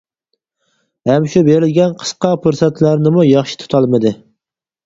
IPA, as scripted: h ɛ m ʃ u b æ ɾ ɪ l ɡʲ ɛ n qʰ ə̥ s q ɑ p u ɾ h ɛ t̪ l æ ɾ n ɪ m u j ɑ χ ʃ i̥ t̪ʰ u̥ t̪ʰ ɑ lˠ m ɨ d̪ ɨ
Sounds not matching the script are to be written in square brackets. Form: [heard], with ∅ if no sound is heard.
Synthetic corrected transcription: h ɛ m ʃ u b [e] ɾ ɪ l ɡʲ ɛ n qʰ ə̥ s q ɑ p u ɾ [s] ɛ t̪ l æ ɾ n ɪ m u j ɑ χ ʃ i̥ t̪ʰ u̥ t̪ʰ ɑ lˠ m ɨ d̪ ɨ